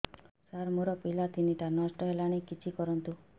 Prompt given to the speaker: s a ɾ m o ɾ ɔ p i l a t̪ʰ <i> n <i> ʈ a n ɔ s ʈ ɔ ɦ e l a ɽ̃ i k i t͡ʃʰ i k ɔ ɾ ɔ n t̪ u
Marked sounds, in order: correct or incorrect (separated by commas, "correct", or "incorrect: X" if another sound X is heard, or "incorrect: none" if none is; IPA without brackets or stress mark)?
correct, correct